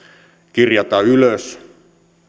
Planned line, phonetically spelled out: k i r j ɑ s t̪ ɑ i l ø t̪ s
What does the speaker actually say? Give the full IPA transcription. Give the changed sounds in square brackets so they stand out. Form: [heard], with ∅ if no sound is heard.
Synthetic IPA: k i r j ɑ [∅] t̪ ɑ [y] l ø [∅] s